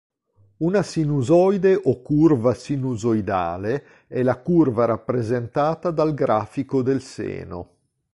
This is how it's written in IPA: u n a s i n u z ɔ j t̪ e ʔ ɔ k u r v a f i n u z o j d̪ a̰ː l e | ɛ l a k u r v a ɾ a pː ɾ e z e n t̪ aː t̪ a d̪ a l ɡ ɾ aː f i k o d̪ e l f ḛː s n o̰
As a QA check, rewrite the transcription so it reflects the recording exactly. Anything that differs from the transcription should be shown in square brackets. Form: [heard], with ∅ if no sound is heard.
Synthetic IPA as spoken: u n a s i n u z ɔ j [d̪] e ʔ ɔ k u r v a [s] i n u z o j d̪ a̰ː l e | ɛ l a k u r v a ɾ a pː ɾ e z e n t̪ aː t̪ a d̪ a l ɡ ɾ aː f i k o d̪ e l [s] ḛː [∅] n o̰

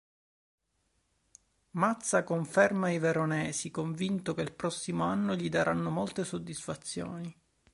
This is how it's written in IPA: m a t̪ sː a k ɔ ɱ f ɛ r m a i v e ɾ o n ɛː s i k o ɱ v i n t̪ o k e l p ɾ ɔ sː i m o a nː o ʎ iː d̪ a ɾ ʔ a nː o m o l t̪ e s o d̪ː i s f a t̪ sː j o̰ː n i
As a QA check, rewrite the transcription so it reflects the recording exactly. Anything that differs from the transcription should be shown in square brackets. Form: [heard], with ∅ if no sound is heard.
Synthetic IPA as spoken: m a t̪ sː a k [o] ɱ f ɛ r m a i v e ɾ o n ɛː s i k o ɱ v i n t̪ o k e l p ɾ ɔ sː i m o a nː o ʎ [i] d̪ a ɾ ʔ a nː o m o l t̪ e s o d̪ː i s f a t̪ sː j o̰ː n i

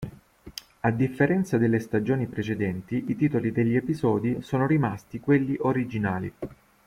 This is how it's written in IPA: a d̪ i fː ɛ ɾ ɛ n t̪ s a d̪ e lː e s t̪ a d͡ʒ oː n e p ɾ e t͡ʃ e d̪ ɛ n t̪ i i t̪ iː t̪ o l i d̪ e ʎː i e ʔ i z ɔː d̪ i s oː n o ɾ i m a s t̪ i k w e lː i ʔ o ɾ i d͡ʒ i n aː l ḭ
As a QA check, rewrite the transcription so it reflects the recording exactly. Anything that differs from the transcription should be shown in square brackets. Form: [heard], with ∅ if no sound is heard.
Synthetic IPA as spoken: a d̪ i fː [e] ɾ ɛ n t̪ s a d̪ e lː e s t̪ a d͡ʒ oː n [i] p ɾ e t͡ʃ e d̪ ɛ n t̪ i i t̪ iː t̪ o l i d̪ e ʎː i e [p] i z ɔː d̪ i s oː n o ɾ i m a s t̪ i k w e lː i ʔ o ɾ i d͡ʒ i n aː l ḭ

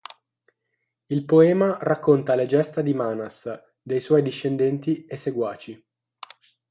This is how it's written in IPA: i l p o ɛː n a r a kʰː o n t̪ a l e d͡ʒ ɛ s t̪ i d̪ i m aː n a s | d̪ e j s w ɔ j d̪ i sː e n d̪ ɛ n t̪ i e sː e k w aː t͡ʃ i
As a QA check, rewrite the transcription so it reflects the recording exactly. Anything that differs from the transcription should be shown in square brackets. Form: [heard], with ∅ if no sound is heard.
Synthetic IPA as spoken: i l p o ɛː [m] a r a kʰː o n t̪ a l e d͡ʒ ɛ s t̪ [a] d̪ i m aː n a s | d̪ e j s w ɔ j d̪ i [ʃː] e n d̪ ɛ n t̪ i e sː e [ɡ] w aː t͡ʃ i

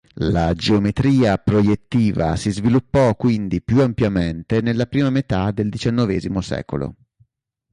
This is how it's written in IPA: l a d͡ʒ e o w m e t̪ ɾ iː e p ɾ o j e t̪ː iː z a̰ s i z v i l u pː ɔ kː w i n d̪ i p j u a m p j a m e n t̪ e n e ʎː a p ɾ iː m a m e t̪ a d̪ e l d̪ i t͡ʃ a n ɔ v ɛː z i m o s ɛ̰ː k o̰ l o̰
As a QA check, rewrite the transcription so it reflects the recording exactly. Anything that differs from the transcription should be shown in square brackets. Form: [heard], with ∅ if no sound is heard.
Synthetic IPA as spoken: l a d͡ʒ e o [∅] m e t̪ ɾ iː [a] p ɾ o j e t̪ː iː [v] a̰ s i z v i l u pː ɔ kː w i n d̪ i p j u a m p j a m e n t̪ e n e [lː] a p ɾ iː m a m e t̪ a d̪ e l d̪ i t͡ʃ a [nː] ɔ v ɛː z i m o s ɛ̰ː k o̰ l o̰

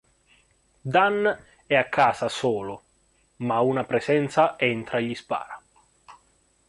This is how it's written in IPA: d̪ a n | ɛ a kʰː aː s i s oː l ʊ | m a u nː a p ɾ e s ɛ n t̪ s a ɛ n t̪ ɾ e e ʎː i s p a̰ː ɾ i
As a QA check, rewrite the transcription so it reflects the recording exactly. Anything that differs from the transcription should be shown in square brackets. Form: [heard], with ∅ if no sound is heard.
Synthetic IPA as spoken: d̪ a n | ɛ a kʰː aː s [a] s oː l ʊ | m a u [n] a p ɾ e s ɛ n t̪ s a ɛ n t̪ ɾ [a] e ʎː i s p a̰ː ɾ [a]

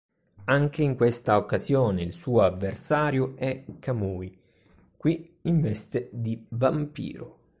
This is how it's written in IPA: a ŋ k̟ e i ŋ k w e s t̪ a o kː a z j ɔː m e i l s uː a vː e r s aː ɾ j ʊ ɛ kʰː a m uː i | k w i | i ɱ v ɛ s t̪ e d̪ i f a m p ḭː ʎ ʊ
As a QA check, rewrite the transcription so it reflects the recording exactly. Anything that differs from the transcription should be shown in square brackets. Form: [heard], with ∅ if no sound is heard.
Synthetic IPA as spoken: a ŋ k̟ e i ŋ k w e s t̪ a o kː a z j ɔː [n] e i l s uː a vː e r s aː ɾ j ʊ ɛ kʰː a m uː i | k w i | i ɱ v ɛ s t̪ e d̪ i [v] a m p ḭː [ɾ] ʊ

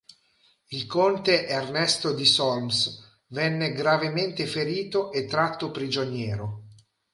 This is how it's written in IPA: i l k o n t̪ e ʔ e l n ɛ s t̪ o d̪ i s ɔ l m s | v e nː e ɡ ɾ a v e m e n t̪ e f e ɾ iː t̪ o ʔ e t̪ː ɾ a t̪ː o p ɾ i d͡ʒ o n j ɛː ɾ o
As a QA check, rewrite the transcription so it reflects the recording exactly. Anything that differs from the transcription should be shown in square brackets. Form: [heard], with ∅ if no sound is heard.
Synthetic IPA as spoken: i l k o n t̪ e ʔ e [r] n ɛ s t̪ o d̪ i s ɔ l m s | v [ɛ] nː e ɡ ɾ a v e m e n t̪ e f e ɾ iː t̪ o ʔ e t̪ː ɾ a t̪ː o p ɾ i d͡ʒ o n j ɛː ɾ o

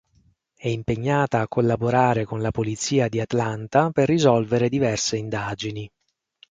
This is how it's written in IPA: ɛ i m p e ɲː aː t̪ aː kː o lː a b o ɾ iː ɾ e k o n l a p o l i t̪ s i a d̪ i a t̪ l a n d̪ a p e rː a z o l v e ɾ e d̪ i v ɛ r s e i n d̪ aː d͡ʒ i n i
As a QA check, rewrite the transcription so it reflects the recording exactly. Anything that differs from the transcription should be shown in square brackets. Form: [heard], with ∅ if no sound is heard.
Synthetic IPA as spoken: ɛ i m p e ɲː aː t̪ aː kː o lː a b o ɾ [aː] ɾ e k o n l a p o l i t̪ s [iː] a d̪ i a t̪ l a n [t̪] a p e rː [i] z [ɔ] l v e ɾ e d̪ i v ɛ r s e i n d̪ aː d͡ʒ i n i

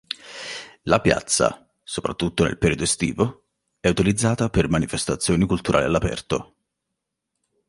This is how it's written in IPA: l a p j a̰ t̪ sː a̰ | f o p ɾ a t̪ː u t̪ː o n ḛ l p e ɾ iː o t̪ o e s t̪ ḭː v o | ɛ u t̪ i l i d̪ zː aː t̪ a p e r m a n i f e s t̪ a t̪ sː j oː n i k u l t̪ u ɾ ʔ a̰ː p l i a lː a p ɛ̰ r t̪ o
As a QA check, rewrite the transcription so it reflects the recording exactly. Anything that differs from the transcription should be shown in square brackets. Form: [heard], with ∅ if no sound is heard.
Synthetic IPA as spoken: l a p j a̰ t̪ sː a̰ | [s] o p ɾ a t̪ː u t̪ː o n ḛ l p e ɾ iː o [d̪] o e s t̪ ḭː v o | ɛ u t̪ i l i d̪ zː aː t̪ a p e r m a n i f e s t̪ a t̪ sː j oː n i k u l t̪ u ɾ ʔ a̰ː [∅] l i a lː a p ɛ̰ r t̪ o

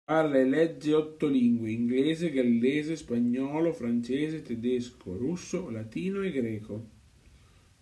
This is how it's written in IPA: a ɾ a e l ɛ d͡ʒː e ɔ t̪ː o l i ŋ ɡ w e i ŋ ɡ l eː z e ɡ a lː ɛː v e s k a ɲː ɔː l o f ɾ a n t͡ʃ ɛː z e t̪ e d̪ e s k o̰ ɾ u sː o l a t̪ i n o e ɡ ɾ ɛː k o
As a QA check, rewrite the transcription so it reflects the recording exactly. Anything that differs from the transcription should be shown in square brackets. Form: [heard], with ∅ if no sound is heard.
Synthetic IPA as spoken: a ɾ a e l ɛ d͡ʒː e ɔ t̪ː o l i ŋ ɡ w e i ŋ ɡ l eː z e ɡ a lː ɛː [z] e s [p] a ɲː ɔː l o f ɾ a n t͡ʃ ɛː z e t̪ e d̪ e s k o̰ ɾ u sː o l a t̪ [iː] n o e ɡ ɾ ɛː k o

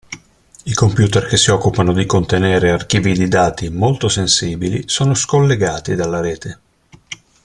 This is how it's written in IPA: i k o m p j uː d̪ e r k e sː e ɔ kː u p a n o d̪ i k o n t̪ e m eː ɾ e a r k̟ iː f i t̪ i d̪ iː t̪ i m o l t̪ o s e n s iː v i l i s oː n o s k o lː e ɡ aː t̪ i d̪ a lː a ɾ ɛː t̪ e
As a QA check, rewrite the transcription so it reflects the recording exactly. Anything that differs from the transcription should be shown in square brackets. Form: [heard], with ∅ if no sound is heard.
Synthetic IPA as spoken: i k o m p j uː [t̪] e r k e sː [i] ɔ kː u p a n o d̪ i k o n t̪ e [n] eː ɾ e a r k̟ iː [v] i [d̪] i d̪ [aː] t̪ i m o l t̪ o s e n s iː [b] i l i s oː n o s k o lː e ɡ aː t̪ i d̪ a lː a ɾ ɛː t̪ e

